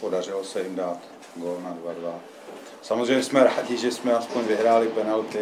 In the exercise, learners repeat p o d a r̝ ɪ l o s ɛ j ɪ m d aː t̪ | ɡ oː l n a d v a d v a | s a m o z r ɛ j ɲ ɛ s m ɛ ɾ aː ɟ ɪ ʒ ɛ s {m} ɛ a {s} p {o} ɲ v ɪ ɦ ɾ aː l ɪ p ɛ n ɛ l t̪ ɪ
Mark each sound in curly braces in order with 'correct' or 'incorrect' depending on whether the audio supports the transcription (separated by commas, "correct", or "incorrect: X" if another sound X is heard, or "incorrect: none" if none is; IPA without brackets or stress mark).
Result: correct, correct, correct